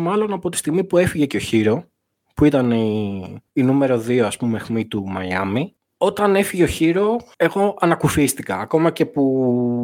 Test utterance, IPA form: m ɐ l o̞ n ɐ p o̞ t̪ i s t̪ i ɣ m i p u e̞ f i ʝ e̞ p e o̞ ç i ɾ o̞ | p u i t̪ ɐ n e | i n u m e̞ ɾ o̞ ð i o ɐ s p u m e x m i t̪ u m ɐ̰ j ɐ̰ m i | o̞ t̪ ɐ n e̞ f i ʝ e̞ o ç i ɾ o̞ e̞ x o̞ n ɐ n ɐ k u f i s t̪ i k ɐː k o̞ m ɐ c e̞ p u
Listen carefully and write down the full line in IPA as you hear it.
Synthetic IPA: m ɐ l o̞ n ɐ p o̞ t̪ i s t̪ i ɣ m i p u e̞ f i ʝ e̞ c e o̞ ç i ɾ o̞ | p u i t̪ ɐ n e | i n u m e̞ ɾ o̞ ð i o ɐ s p u m e x m i t̪ u m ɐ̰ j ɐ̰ m i | o̞ t̪ ɐ n e̞ f i ʝ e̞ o ç i ɾ o̞ e̞ ɣ o̞ ɐ n ɐ k u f i s t̪ i k ɐː k o̞ m ɐ c e̞ p u